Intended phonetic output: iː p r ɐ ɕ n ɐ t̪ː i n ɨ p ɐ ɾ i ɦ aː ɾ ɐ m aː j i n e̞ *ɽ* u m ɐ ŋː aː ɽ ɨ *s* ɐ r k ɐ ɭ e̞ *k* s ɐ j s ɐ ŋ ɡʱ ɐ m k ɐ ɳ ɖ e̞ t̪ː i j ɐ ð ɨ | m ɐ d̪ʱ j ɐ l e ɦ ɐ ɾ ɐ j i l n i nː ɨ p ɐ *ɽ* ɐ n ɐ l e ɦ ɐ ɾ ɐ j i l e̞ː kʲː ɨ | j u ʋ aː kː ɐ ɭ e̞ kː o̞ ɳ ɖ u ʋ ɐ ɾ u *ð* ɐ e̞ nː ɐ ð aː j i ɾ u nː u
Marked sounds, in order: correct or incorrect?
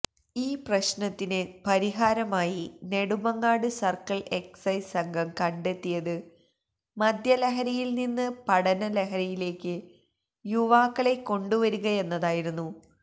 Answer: correct, correct, correct, correct, incorrect

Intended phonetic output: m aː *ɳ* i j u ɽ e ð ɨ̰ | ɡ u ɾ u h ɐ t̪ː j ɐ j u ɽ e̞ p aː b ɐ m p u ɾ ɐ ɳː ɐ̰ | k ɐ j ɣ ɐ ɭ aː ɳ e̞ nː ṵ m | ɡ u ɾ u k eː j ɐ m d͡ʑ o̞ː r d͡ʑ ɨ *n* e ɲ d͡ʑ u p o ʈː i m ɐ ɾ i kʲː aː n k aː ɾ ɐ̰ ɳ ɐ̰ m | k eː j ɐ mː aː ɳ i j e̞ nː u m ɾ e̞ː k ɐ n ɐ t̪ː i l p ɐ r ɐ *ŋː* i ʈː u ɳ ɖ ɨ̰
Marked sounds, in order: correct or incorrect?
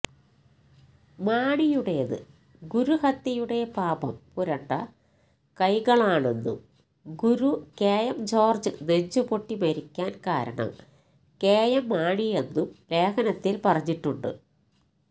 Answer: correct, correct, incorrect

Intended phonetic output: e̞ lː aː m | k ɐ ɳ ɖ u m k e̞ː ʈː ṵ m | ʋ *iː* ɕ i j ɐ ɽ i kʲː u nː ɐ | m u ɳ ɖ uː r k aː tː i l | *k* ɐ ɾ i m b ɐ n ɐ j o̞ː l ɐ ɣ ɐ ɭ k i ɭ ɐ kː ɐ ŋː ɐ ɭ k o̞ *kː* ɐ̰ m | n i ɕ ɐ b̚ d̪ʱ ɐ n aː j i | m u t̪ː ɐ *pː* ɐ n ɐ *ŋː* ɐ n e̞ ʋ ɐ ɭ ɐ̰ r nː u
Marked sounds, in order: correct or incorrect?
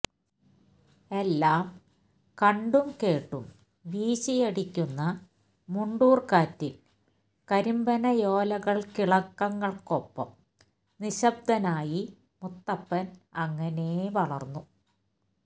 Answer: correct, correct, incorrect, correct, correct

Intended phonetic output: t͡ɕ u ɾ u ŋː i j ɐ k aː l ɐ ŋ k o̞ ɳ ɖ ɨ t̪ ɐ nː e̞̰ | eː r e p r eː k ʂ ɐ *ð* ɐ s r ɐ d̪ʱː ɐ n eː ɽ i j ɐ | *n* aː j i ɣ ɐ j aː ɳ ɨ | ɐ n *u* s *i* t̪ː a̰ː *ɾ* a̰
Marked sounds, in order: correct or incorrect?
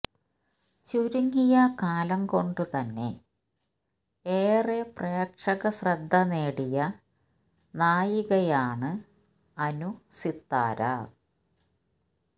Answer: incorrect, correct, correct, correct, correct

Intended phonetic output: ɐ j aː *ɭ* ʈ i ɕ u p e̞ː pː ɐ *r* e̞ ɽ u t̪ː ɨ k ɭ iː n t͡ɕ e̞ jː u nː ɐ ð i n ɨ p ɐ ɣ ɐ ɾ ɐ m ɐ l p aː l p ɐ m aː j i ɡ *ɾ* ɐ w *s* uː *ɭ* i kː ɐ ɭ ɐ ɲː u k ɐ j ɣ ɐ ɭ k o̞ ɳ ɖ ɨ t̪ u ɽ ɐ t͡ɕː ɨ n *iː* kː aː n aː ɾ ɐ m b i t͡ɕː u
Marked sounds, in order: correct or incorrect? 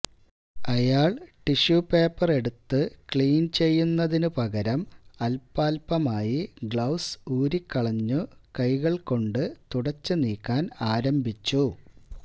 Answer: correct, correct, incorrect, correct, incorrect, correct

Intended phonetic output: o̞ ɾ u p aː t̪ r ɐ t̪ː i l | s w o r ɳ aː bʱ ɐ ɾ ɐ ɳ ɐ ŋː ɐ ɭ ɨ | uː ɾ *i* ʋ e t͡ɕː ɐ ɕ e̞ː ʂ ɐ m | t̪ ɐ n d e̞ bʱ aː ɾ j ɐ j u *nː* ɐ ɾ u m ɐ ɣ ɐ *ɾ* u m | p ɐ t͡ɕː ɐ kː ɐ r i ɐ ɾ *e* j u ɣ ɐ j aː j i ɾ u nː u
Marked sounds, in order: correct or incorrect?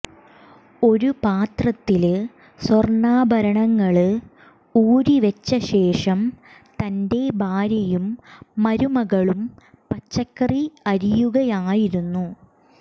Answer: correct, incorrect, incorrect, incorrect

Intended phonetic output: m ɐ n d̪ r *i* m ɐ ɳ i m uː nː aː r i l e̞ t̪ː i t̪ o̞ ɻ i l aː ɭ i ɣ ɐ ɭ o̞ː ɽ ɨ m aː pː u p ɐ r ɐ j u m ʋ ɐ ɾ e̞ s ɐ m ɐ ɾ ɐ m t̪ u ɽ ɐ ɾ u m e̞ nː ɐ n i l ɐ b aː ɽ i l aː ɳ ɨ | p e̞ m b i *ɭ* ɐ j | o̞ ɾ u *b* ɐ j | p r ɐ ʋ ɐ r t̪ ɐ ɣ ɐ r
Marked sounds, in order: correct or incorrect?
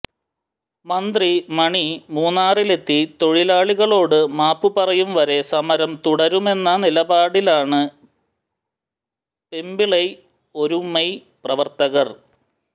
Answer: correct, correct, incorrect

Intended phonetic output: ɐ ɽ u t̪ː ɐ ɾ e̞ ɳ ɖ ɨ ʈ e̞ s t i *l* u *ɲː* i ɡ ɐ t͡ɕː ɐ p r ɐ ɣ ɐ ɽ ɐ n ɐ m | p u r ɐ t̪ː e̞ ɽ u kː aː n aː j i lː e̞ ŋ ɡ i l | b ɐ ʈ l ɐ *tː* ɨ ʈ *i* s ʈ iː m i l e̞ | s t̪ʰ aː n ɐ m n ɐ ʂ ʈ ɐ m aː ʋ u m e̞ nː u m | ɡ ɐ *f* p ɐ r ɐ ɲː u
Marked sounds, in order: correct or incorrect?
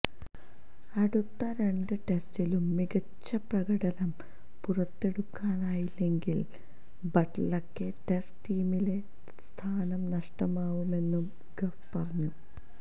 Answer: correct, incorrect, incorrect, incorrect, correct

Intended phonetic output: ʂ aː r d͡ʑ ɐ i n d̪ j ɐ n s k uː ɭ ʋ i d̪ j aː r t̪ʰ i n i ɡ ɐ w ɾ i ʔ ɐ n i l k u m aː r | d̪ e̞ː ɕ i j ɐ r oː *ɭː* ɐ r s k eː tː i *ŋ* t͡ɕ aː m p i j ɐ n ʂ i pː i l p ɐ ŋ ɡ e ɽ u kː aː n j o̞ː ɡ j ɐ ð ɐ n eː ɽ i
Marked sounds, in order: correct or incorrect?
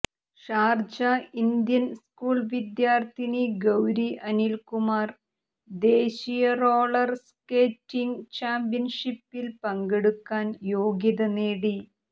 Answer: incorrect, correct

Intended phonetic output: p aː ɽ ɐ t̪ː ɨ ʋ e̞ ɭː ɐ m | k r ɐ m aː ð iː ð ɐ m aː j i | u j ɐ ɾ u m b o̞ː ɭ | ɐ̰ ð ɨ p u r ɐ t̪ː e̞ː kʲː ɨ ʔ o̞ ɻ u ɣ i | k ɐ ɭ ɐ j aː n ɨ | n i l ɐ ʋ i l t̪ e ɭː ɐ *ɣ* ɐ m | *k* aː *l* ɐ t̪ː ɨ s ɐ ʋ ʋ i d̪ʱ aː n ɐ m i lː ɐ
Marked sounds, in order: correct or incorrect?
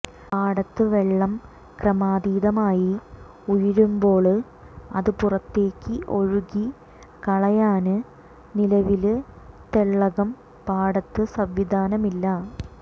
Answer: correct, incorrect, incorrect

